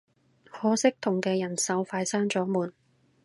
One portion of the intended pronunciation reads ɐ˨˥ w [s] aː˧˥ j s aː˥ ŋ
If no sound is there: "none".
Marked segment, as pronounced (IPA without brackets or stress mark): f